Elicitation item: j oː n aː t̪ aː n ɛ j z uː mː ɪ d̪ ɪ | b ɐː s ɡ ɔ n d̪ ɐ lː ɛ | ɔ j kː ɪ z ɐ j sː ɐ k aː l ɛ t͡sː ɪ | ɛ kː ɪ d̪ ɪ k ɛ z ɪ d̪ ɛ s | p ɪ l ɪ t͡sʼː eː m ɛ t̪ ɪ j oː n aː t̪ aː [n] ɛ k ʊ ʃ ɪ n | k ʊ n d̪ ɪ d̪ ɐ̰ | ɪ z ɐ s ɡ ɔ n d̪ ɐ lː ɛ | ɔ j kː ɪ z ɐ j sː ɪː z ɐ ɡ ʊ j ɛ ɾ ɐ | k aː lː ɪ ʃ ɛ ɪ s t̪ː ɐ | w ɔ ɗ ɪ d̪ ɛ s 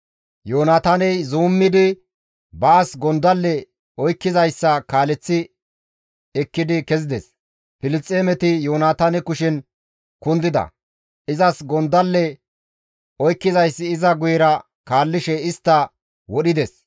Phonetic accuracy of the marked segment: correct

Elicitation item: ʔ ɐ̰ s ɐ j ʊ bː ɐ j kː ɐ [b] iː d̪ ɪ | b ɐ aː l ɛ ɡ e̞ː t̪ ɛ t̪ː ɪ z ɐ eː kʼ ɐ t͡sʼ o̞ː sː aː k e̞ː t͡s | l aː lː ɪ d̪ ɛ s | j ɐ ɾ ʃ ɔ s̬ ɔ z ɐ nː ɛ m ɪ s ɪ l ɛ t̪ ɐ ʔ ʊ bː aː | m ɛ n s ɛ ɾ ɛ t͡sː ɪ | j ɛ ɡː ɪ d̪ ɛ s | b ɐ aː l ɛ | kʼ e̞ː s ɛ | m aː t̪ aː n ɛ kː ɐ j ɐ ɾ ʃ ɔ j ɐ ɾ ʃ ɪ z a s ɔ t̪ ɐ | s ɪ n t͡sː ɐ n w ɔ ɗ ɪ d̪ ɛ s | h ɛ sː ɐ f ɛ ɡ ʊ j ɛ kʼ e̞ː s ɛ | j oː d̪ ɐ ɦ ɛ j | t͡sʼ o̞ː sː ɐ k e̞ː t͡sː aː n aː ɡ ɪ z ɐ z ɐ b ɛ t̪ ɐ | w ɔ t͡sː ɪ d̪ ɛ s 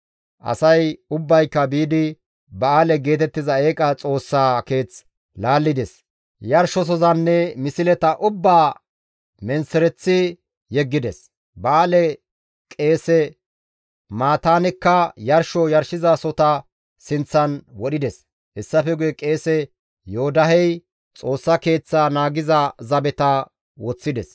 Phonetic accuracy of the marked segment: correct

